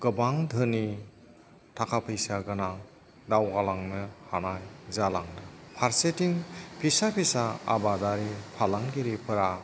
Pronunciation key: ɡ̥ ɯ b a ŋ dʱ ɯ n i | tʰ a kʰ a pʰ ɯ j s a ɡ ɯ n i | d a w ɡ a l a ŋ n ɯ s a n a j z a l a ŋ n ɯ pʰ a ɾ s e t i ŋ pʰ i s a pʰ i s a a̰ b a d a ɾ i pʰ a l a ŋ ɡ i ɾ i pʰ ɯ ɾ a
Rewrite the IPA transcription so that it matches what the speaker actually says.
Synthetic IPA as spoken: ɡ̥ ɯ b a ŋ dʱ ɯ n i | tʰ a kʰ a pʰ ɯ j s a ɡ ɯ n a | d a w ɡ a l a ŋ n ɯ h a n a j z a l a ŋ n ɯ pʰ a ɾ s e t i ŋ pʰ i s a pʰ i s a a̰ b a d a ɾ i pʰ a l a ŋ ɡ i ɾ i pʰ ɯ ɾ a